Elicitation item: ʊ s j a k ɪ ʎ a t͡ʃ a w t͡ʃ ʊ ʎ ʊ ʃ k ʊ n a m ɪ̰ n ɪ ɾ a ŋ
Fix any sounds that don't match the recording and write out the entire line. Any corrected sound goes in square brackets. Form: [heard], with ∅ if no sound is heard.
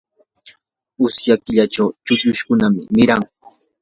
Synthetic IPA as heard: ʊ s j a k ɪ ʎ a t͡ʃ a w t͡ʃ ʊ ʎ ʊ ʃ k ʊ n a m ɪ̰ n ɪ ɾ a ŋ